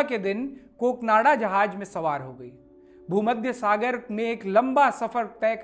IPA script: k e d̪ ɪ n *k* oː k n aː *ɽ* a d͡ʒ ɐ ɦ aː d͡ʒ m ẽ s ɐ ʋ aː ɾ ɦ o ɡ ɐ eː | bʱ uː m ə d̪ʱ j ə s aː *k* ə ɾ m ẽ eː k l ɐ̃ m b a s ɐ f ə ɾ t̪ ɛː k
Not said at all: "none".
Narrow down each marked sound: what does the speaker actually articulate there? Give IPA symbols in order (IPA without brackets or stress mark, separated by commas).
k, ɽ, ɡ